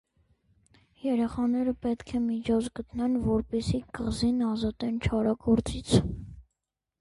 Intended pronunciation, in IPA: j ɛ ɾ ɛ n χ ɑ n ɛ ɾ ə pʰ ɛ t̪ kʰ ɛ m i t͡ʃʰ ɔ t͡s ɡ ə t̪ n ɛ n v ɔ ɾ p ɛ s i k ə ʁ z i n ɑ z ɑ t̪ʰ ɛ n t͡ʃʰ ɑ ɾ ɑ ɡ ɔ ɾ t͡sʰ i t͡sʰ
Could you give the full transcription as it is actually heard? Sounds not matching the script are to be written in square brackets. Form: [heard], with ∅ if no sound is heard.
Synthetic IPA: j ɛ ɾ ɛ [∅] χ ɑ n ɛ ɾ ə [p] ɛ t̪ kʰ ɛ m i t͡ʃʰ ɔ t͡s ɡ ə t̪ n ɛ n v ɔ ɾ p ɛ s i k ə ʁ z i n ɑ z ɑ [t̪] ɛ n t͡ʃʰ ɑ ɾ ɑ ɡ ɔ ɾ [t͡s] i t͡sʰ

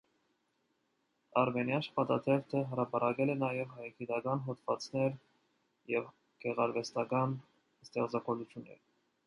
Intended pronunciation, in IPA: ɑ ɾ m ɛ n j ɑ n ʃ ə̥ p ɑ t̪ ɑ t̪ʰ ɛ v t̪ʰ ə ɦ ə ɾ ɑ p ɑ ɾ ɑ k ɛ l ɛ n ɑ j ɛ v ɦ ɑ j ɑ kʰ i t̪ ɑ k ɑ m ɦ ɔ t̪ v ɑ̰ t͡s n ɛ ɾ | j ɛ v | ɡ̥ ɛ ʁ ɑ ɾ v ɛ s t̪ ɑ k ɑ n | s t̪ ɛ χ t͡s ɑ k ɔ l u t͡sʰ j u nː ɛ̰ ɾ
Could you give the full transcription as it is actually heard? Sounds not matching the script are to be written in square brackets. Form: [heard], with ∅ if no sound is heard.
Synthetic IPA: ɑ ɾ m ɛ n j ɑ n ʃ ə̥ p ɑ t̪ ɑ t̪ʰ ɛ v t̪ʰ ə ɦ ə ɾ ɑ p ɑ ɾ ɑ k ɛ l ɛ n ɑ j ɛ v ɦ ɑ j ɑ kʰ i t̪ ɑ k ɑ [n] ɦ ɔ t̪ v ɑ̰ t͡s n ɛ ɾ | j ɛ v | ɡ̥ ɛ ʁ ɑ ɾ v ɛ s t̪ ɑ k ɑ n | s t̪ ɛ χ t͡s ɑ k ɔ l u t͡sʰ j u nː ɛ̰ ɾ

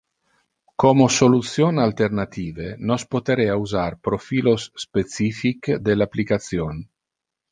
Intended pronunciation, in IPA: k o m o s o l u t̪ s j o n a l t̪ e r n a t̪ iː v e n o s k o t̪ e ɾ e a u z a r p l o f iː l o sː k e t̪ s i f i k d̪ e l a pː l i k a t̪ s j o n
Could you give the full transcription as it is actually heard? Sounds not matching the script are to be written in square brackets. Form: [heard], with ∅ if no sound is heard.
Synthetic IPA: k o m o s o l u t̪ s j o n a l t̪ e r n a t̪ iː v e n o s [p] o t̪ e ɾ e a u z a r p [ɾ] o f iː l o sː [p] e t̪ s i f i k d̪ e l a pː l i k a t̪ s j o n

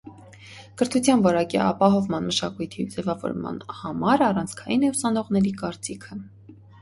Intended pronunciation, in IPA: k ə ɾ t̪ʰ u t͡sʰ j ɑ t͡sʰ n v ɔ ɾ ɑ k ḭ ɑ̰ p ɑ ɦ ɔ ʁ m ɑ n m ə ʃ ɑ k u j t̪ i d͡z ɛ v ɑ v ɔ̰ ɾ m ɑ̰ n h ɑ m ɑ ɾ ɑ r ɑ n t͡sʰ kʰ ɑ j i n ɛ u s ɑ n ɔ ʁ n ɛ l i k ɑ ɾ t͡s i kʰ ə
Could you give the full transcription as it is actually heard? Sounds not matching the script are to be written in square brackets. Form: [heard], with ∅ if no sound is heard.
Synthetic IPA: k ə ɾ t̪ʰ u t͡sʰ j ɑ [∅] n v ɔ ɾ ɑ k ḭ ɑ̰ p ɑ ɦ ɔ [v] m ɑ n m ə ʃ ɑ k u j [t̪ʰ] i d͡z ɛ v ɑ v ɔ̰ ɾ m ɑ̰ n h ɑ m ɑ ɾ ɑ r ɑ n t͡sʰ kʰ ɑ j i n ɛ u s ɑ n ɔ ʁ n ɛ [ɾ] i k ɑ ɾ t͡s i kʰ ə

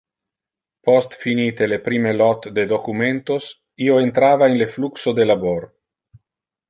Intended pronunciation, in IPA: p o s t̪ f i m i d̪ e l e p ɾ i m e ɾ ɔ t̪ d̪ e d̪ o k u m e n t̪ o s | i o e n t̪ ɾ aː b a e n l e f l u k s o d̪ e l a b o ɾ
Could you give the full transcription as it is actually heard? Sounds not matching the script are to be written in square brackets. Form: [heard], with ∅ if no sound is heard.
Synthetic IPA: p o s t̪ f i [n] i [t̪] e l e p ɾ i m e [l] ɔ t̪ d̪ e d̪ o k u m e n t̪ o s | i o e n t̪ ɾ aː [v] a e n l e f l u k s o d̪ e l a b o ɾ

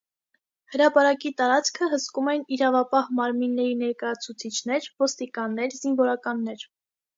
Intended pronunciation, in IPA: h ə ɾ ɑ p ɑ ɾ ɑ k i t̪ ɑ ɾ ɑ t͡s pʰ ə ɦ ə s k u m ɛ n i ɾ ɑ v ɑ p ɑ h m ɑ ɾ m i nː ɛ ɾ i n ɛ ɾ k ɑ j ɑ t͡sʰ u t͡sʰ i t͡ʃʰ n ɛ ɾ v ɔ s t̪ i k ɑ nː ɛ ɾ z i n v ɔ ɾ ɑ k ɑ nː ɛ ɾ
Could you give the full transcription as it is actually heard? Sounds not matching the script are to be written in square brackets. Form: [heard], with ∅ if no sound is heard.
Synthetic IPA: h ə ɾ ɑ p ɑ ɾ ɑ k i t̪ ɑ ɾ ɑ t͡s [kʰ] ə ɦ ə s k u m ɛ n i ɾ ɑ v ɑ p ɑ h m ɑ ɾ m i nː ɛ ɾ i n ɛ ɾ k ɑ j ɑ t͡sʰ u t͡sʰ i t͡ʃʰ n ɛ ɾ v ɔ s t̪ i k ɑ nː ɛ ɾ z i n v ɔ ɾ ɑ k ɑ nː ɛ ɾ

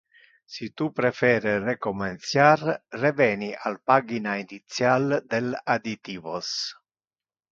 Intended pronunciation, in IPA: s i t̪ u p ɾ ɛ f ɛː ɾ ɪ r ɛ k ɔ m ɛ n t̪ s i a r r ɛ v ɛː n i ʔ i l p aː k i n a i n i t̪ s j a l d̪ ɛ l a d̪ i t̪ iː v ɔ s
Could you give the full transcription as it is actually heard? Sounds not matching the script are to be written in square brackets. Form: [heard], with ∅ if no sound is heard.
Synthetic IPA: s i t̪ u p ɾ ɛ f ɛː ɾ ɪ r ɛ k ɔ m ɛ n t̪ s [j] a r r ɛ v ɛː n i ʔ [a] l p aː [ɡ] i n a i n i t̪ s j a l d̪ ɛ l a d̪ i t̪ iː v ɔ s

